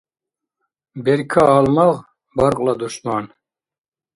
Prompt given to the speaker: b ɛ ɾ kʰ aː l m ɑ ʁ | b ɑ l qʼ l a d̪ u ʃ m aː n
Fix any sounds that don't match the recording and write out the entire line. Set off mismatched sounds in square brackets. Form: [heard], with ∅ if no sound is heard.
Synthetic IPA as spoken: b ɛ ɾ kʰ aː l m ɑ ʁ | b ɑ [ɾ] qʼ l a d̪ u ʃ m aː n